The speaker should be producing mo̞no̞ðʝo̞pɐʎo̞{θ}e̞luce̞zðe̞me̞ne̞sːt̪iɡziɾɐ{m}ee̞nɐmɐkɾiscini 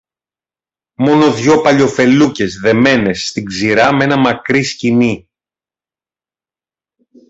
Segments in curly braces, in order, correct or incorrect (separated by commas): incorrect, correct